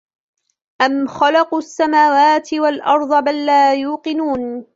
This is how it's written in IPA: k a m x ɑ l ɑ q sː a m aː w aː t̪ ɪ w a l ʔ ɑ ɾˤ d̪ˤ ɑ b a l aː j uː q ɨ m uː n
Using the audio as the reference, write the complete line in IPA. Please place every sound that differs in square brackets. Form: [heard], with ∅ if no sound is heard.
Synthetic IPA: [ʔ] a m x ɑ l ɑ q sː a m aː w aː t̪ ɪ w a l ʔ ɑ ɾˤ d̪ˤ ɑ b a [lː] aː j uː q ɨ [n] uː n